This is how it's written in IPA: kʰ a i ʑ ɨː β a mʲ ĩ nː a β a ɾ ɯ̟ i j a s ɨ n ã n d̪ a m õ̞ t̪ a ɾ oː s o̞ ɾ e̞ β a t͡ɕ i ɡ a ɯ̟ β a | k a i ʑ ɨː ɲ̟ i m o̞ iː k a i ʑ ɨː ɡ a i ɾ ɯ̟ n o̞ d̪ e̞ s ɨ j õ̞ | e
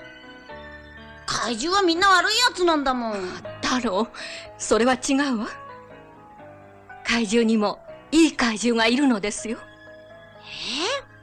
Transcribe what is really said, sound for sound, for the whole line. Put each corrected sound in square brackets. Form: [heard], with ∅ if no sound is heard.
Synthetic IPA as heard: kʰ a i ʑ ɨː β a mʲ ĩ nː a β a ɾ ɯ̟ i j a [t͡s] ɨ n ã n d̪ a m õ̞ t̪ a ɾ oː s o̞ ɾ e̞ β a t͡ɕ i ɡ a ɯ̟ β a | k a i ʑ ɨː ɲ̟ i m o̞ iː k a i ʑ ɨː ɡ a i ɾ ɯ̟ n o̞ d̪ e̞ s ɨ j [o̞] | e

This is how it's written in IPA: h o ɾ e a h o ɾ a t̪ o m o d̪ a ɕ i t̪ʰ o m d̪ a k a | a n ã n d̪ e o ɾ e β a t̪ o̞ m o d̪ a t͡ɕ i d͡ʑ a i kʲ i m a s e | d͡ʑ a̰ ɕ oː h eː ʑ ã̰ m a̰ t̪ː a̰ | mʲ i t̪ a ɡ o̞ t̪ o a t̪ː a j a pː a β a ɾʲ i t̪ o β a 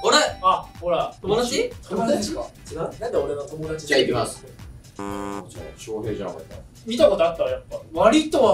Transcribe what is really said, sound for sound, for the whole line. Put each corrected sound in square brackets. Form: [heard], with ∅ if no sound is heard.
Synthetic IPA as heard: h o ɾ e a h o ɾ a t̪ o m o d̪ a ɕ i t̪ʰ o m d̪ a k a | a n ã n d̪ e o ɾ e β a t̪ o̞ m o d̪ a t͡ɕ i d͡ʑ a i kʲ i m a s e | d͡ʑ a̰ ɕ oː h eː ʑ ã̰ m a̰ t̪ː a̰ | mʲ i t̪ a [k] o̞ t̪ o a t̪ː a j a pː a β a ɾʲ i t̪ o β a

